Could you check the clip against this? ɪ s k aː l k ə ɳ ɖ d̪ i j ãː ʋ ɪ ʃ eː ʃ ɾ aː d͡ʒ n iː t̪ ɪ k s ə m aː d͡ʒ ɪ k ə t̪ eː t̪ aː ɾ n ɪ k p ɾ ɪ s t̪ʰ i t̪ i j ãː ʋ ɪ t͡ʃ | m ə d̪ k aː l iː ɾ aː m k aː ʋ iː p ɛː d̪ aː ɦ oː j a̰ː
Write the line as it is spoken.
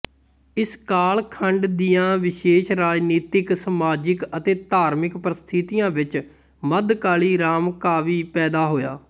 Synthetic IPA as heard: ɪ s k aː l kʰ ə ɳ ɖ d̪ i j ãː ʋ ɪ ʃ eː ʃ ɾ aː d͡ʒ n iː t̪ ɪ k s ə m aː d͡ʒ ɪ k ə t̪ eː t̪ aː ɾ m ɪ k p ɾ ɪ s t̪ʰ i t̪ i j ãː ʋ ɪ t͡ʃ | m ə d̪ k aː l iː ɾ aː m k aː ʋ iː p ɛː d̪ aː ɦ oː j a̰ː